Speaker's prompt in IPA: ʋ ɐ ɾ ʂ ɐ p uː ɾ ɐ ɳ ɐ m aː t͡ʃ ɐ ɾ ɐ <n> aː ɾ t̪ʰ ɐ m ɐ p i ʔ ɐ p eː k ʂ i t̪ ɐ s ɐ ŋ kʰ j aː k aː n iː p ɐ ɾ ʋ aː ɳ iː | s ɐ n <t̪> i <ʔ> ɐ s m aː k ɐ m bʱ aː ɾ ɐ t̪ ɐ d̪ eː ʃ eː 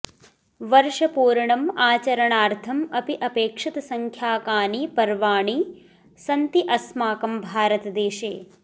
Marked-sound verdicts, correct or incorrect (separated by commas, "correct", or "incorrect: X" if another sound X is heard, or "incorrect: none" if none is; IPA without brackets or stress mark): incorrect: ɳ, correct, correct